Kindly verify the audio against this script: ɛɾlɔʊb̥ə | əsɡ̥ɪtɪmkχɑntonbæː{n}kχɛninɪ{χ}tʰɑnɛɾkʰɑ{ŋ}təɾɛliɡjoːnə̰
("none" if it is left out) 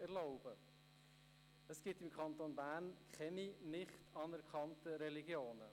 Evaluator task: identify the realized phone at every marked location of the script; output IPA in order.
n, χ, n

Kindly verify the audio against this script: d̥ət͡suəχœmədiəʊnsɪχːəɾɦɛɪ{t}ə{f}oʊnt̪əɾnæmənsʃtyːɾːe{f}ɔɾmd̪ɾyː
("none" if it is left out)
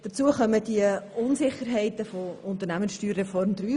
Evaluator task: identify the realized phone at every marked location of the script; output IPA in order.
t, f, f

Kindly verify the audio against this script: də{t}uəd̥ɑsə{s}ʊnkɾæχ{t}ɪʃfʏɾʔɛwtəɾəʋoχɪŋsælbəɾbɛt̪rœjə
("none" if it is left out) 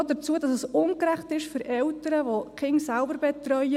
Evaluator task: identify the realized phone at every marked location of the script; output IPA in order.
t͡s, s, t

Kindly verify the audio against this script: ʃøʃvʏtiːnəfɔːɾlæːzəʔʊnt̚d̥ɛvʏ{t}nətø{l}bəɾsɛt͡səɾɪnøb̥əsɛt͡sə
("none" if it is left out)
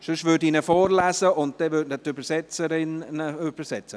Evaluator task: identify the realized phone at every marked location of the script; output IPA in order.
t, none

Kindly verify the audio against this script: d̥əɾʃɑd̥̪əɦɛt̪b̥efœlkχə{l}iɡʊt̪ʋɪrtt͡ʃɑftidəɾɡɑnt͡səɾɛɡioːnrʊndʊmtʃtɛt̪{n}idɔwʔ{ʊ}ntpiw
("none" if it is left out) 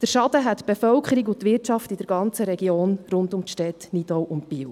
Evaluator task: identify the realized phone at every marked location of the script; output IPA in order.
ɾ, n, ʊ

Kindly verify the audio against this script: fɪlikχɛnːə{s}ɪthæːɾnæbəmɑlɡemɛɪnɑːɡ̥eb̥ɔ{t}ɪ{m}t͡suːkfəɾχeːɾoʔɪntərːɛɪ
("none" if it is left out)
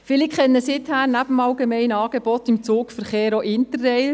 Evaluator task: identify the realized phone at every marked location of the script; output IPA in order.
s, t, m

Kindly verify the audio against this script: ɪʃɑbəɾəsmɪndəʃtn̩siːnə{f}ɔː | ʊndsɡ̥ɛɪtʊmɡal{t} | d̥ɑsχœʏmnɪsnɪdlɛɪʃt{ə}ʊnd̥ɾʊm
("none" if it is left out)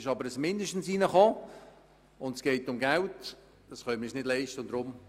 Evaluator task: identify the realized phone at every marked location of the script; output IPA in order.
χ, t, ə

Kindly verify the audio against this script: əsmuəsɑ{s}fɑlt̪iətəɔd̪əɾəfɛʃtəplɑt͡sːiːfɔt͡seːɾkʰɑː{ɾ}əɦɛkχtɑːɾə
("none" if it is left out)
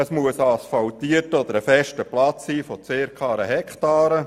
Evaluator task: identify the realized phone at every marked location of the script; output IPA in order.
s, ɾ

